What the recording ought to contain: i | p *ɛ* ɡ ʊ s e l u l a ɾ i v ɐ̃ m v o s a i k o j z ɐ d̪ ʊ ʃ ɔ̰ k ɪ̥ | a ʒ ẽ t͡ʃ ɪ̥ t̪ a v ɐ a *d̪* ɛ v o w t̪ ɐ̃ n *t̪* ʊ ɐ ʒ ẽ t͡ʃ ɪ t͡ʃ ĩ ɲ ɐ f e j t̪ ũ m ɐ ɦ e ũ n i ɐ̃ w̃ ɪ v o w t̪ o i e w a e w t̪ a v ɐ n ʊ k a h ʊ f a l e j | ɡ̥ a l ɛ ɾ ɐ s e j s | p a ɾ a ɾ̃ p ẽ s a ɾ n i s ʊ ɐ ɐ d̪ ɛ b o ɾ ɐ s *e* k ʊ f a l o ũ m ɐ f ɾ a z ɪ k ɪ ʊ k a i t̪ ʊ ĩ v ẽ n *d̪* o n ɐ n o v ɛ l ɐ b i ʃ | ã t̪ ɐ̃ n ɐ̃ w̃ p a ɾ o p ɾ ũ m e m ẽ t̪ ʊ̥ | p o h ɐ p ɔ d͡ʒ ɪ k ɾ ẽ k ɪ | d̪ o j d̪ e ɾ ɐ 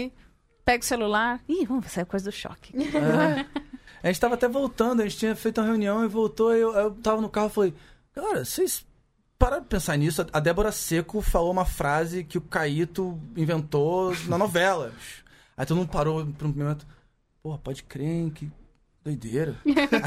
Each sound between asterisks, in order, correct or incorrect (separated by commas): correct, incorrect, incorrect, correct, incorrect